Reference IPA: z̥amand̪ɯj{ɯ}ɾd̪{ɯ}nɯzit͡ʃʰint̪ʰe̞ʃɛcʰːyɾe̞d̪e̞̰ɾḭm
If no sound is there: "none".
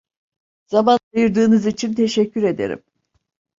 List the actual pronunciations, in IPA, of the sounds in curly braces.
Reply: ɯ, ɯː

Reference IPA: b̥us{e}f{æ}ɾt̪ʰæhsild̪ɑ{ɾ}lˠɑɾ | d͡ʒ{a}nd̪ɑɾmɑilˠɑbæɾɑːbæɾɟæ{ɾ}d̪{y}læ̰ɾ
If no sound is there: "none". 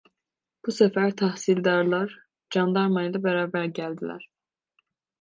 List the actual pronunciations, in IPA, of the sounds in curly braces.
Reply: æ, æ, ɾ, ɑ, l, i

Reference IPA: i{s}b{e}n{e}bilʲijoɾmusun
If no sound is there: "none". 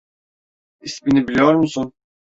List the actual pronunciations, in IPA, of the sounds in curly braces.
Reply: s, i, i

